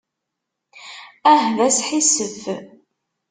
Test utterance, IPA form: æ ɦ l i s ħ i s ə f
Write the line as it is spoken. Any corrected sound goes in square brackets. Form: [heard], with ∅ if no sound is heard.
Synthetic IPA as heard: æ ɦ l [æ] s ħ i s ə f